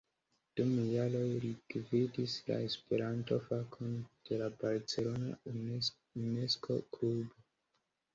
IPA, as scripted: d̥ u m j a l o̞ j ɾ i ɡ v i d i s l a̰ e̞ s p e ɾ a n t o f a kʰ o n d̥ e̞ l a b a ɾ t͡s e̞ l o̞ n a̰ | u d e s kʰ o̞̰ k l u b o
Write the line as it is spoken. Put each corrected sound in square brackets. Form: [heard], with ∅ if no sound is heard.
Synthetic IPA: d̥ u m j a l o̞ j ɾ i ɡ v i d i s l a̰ e̞ s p e ɾ a n t o f a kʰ o n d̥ e̞ l a b a ɾ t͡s e̞ l o̞ n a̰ | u [n] e s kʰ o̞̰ k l u b o